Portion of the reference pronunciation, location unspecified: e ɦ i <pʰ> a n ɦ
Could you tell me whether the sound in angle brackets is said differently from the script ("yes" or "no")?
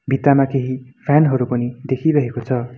no